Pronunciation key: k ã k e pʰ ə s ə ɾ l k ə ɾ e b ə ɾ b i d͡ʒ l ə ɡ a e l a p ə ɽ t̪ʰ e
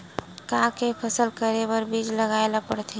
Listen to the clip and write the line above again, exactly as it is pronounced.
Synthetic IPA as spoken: k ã k e pʰ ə s ə l k ə ɾ e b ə ɾ b i d͡ʒ l ə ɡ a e l a p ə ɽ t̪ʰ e